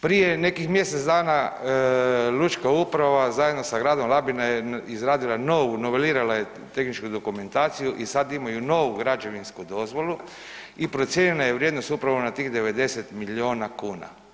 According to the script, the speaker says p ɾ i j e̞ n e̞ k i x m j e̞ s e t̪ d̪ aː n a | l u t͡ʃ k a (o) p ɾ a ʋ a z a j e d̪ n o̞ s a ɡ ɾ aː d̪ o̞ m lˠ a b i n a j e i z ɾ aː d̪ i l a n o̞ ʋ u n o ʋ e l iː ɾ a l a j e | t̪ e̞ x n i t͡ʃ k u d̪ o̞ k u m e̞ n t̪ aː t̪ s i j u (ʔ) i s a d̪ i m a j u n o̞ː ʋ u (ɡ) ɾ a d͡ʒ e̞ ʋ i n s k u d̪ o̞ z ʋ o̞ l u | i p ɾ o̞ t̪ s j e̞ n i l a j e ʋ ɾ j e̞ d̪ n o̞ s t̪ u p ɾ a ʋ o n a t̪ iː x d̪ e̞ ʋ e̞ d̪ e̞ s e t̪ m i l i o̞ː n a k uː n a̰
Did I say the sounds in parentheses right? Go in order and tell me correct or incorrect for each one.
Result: incorrect: u, correct, correct

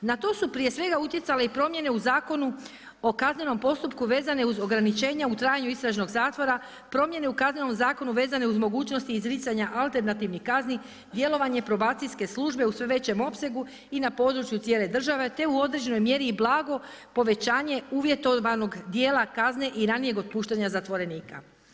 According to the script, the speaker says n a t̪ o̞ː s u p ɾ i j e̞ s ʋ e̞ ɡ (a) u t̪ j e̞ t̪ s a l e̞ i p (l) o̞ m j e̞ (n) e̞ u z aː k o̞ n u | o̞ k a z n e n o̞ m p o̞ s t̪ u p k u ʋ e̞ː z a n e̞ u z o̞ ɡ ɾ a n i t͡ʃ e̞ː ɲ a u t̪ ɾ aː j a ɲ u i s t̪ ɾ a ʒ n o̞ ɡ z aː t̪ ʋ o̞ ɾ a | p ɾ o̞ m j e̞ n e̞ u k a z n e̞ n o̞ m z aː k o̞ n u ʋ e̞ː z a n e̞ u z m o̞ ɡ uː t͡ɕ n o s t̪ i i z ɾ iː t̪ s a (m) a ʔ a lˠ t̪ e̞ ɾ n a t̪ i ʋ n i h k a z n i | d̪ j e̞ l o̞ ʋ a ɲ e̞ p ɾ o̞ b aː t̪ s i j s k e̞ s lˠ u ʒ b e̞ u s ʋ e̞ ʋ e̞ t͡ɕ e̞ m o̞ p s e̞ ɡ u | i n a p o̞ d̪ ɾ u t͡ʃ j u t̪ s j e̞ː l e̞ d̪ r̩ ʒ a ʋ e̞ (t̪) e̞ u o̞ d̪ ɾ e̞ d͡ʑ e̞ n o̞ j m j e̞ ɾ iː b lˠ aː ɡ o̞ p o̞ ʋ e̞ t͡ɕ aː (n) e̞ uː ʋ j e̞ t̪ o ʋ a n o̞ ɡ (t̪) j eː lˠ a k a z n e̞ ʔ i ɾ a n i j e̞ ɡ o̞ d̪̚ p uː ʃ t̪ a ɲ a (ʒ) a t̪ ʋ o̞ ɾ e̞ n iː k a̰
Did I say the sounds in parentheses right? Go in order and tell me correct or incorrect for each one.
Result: correct, incorrect: ɾ, correct, incorrect: ɲ, correct, incorrect: ɲ, incorrect: d̪, incorrect: z

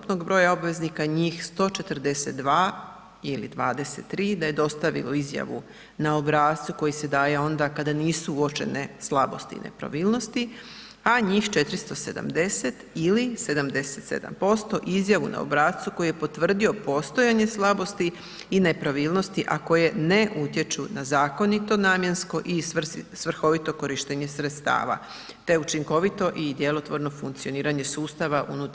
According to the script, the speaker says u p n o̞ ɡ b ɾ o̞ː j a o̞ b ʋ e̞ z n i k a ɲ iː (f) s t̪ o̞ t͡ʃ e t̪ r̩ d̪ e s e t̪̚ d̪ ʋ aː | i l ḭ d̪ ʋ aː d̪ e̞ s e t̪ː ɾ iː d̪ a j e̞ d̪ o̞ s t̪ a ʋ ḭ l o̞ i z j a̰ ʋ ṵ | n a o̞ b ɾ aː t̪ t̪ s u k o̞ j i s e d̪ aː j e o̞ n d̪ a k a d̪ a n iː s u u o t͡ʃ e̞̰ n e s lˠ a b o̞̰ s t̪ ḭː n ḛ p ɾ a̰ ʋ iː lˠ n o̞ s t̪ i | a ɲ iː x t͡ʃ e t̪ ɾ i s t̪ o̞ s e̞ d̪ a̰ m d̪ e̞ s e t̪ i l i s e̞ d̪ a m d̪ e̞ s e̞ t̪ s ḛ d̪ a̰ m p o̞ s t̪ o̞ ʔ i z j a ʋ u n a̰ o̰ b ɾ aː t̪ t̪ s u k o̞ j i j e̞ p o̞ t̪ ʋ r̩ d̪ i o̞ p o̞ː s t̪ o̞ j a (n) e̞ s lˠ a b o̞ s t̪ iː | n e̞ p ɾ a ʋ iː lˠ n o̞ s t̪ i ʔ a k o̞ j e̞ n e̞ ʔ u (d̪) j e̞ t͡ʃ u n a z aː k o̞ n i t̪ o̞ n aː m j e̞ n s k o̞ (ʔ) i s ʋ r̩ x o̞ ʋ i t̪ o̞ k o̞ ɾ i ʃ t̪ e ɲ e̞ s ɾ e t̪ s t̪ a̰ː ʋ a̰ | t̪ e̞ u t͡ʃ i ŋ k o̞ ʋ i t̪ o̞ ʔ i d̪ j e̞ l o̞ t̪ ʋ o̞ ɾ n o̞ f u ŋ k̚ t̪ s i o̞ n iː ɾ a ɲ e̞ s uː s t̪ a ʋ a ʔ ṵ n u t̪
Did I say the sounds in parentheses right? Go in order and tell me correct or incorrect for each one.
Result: incorrect: x, incorrect: ɲ, incorrect: t̪, correct

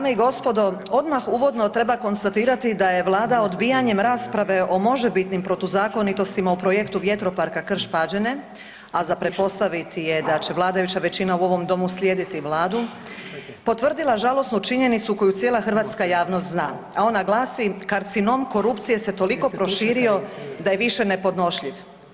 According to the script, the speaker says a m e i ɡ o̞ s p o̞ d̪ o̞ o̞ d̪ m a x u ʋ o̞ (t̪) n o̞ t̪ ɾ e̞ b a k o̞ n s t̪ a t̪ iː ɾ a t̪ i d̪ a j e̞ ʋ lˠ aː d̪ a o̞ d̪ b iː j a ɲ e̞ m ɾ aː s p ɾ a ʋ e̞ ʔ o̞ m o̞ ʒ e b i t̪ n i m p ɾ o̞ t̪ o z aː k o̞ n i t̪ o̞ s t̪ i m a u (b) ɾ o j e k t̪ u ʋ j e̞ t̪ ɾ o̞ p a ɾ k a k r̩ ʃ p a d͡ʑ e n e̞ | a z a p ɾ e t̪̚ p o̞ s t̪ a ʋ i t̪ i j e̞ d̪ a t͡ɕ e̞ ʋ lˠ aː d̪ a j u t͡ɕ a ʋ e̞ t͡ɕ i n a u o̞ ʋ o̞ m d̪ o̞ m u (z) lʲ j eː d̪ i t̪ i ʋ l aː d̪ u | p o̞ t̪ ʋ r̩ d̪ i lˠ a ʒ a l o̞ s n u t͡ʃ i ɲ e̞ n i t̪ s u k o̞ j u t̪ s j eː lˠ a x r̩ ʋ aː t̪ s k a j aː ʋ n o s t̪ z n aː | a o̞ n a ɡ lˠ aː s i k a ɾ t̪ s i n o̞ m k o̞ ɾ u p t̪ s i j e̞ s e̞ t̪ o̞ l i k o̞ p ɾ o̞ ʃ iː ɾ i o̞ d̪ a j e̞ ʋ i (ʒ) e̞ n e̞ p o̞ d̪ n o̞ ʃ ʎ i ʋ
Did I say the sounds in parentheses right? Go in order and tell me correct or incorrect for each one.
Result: incorrect: d̪, incorrect: p, incorrect: s, incorrect: ʃ

